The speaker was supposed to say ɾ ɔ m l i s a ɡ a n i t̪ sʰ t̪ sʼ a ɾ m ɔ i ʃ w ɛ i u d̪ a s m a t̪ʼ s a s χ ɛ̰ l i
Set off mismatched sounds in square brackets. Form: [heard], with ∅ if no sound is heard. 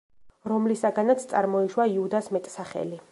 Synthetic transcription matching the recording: ɾ ɔ m l i s a ɡ a n [a] t̪ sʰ t̪ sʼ a ɾ m ɔ i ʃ w [a] i u d̪ a s m [ɛ] t̪ʼ s a [∅] χ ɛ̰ l i